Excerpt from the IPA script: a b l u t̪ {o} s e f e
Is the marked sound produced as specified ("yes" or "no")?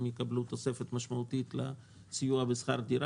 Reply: yes